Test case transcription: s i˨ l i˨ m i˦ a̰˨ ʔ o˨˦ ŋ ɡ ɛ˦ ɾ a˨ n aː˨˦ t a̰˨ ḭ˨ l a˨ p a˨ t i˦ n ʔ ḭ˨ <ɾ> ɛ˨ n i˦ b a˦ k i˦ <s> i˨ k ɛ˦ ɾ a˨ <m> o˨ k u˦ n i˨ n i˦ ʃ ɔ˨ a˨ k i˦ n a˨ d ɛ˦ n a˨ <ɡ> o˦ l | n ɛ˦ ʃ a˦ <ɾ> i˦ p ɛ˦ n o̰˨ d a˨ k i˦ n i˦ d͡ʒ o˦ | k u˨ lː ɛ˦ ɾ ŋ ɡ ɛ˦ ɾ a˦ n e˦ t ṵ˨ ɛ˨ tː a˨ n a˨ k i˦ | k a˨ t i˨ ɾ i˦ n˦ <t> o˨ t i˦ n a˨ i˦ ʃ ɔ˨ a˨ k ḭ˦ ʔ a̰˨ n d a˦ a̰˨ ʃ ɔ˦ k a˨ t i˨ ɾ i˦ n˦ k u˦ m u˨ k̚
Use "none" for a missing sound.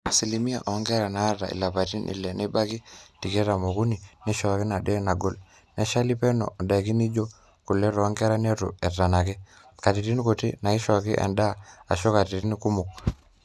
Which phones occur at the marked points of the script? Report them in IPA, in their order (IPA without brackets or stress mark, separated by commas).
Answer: l, t, m, ɡ, l, k